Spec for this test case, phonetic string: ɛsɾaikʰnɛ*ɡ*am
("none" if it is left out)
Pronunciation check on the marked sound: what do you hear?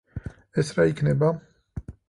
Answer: b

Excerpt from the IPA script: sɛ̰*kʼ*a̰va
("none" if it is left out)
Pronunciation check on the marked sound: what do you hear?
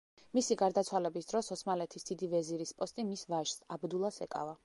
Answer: kʼ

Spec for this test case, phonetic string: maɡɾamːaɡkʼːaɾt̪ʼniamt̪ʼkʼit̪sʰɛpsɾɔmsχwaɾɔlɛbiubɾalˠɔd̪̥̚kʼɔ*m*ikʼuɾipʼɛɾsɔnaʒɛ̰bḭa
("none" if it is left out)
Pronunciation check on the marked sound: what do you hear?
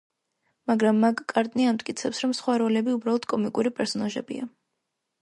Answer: m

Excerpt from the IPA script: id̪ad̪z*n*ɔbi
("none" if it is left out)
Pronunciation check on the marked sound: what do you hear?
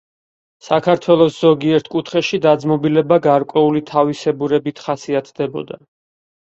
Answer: m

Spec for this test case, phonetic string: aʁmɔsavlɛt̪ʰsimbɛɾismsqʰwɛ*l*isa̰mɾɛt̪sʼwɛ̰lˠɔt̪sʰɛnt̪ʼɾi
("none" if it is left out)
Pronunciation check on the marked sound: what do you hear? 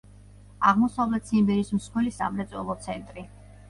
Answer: l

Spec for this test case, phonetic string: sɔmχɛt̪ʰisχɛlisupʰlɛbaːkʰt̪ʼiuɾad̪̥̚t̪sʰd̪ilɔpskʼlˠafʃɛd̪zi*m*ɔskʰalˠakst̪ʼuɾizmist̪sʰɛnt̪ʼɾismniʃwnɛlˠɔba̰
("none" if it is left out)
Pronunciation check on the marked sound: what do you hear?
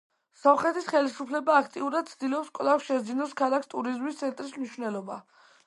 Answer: n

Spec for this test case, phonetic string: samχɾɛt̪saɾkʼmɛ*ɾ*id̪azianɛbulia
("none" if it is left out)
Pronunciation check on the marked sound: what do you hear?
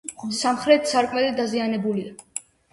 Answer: l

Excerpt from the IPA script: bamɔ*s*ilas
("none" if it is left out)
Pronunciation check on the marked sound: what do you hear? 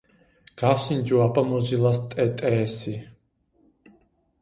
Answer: z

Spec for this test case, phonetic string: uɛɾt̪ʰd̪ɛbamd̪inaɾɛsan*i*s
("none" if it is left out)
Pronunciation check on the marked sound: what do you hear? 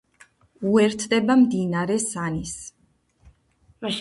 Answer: i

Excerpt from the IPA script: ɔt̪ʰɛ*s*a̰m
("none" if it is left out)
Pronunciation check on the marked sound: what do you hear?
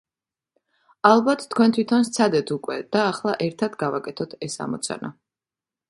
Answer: s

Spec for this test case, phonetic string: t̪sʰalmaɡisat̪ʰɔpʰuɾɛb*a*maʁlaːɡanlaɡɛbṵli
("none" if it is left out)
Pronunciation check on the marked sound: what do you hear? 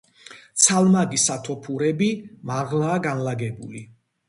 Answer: i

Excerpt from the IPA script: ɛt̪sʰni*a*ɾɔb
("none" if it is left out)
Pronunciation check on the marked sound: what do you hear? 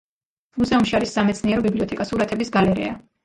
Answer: ɛ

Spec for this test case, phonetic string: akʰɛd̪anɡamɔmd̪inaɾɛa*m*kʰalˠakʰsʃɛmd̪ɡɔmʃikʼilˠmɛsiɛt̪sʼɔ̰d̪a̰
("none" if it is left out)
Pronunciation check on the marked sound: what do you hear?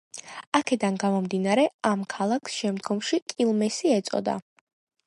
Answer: m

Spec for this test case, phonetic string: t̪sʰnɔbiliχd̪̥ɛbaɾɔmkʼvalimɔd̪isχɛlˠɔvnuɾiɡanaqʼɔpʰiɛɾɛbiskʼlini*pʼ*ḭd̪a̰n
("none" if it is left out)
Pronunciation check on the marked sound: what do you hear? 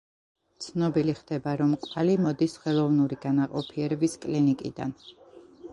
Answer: kʼ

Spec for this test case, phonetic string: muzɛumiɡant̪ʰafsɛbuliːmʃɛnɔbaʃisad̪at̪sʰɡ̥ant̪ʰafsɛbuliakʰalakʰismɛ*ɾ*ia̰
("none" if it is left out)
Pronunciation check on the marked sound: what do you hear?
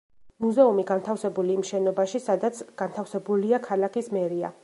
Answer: ɾ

